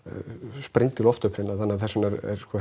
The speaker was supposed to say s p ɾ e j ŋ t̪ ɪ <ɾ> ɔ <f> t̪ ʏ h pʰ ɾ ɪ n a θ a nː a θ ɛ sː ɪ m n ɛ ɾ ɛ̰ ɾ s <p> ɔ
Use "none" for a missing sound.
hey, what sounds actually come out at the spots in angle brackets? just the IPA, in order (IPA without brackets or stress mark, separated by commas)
l, f, k